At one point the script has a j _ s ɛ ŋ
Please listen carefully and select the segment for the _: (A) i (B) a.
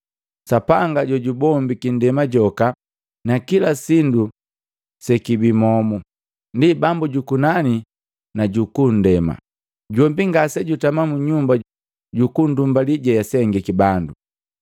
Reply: B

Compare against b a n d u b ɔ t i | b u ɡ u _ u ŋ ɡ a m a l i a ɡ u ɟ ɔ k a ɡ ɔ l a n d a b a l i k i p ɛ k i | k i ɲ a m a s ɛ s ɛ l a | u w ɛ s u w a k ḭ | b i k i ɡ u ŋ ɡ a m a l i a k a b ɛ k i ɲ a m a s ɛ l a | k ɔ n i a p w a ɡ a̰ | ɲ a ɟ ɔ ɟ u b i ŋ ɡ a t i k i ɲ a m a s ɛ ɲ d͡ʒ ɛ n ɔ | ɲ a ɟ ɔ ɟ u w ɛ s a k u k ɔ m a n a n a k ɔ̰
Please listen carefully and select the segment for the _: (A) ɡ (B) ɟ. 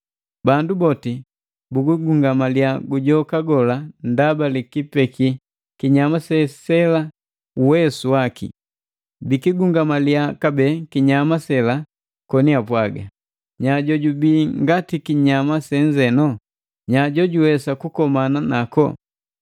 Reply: A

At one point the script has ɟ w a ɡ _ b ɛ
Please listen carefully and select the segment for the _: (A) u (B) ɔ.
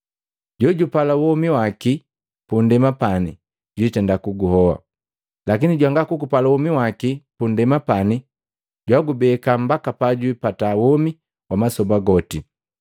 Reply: A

